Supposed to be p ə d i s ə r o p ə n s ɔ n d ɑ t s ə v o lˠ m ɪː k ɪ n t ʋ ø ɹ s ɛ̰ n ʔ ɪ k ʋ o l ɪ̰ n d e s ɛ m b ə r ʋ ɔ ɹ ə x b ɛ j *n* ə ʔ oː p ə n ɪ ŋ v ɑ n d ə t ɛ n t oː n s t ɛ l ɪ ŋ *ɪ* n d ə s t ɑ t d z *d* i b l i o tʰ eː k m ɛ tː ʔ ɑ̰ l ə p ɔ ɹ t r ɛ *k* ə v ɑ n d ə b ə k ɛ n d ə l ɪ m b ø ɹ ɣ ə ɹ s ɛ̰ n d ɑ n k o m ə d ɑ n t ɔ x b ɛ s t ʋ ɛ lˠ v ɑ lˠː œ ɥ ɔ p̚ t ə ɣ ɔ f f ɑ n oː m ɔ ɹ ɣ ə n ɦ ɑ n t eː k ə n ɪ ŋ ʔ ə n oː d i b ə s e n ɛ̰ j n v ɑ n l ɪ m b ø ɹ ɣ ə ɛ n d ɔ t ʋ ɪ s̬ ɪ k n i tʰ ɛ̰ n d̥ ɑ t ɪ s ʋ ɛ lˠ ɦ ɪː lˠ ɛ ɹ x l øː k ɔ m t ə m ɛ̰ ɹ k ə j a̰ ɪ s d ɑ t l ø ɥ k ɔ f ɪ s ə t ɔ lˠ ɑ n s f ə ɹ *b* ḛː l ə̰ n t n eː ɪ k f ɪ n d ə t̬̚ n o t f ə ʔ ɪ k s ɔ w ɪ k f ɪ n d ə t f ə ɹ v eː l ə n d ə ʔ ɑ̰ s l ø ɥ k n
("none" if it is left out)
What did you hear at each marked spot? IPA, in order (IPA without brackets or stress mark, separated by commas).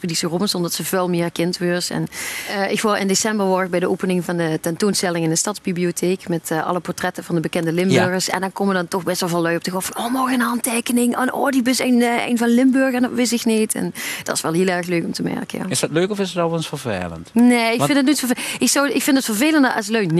d, ɪ, b, t, v